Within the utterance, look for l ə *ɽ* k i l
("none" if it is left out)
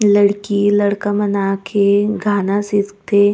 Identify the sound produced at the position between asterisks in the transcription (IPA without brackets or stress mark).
ɽ